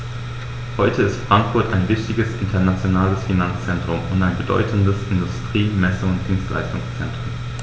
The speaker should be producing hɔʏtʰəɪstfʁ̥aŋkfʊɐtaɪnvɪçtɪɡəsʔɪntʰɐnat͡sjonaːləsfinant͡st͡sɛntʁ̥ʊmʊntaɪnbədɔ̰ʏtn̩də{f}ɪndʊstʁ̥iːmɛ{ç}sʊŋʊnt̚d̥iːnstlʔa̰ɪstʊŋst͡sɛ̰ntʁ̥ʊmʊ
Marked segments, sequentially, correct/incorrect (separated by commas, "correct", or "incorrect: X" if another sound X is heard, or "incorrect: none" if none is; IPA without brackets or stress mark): incorrect: s, incorrect: none